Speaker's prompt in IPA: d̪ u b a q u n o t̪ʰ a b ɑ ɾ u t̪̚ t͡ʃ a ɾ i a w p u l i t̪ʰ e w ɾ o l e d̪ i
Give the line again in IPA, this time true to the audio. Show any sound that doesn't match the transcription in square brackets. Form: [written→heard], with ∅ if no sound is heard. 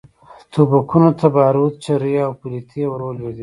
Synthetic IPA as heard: [d̪→t̪] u b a [q→k] u n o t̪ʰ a b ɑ ɾ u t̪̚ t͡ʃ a ɾ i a w p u l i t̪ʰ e w ɾ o l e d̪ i